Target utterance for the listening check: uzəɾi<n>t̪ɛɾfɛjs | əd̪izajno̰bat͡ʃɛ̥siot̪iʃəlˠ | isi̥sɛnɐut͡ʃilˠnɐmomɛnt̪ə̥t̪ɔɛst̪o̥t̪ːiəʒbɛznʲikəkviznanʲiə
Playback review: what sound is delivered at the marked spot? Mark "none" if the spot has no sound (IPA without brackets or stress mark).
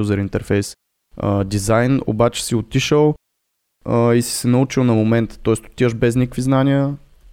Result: n